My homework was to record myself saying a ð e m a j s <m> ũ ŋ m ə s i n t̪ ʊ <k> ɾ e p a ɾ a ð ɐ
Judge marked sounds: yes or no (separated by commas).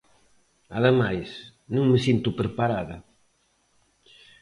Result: no, no